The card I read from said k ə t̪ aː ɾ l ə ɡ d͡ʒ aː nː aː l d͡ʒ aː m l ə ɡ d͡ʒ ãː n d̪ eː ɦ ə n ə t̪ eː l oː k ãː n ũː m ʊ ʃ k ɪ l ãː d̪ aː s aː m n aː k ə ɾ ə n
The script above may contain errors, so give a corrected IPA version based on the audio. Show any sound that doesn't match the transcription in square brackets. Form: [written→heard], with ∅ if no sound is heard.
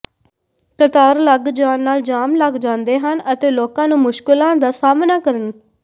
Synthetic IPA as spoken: k ə t̪ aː ɾ l ə ɡ d͡ʒ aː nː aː l d͡ʒ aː m l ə ɡ d͡ʒ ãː n d̪ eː ɦ ə n ə t̪ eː l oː k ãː n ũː m ʊ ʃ k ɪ l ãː d̪ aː s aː m n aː k ə ɾ ə n